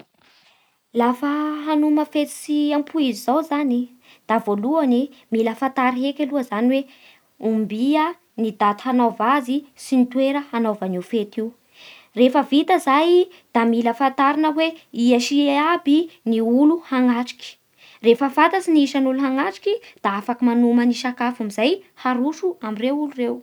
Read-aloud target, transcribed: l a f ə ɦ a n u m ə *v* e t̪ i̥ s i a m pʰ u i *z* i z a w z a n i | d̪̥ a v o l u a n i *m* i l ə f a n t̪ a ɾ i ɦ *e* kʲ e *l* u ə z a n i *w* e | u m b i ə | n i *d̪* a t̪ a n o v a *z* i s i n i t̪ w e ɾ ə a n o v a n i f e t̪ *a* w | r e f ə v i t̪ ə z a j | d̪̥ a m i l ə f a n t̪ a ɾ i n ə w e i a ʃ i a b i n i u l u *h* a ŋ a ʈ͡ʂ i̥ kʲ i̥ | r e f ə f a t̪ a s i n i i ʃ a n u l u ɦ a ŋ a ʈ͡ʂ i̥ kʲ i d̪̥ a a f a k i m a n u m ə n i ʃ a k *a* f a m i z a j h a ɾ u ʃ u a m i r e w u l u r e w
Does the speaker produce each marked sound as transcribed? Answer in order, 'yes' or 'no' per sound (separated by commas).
no, yes, yes, yes, yes, yes, yes, yes, no, yes, yes